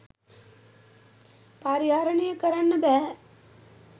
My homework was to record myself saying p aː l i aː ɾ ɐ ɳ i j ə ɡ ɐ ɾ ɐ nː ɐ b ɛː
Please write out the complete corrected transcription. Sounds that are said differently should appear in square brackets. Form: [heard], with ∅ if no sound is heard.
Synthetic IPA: p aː [ɾ] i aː ɾ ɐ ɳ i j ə [k] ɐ ɾ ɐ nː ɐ b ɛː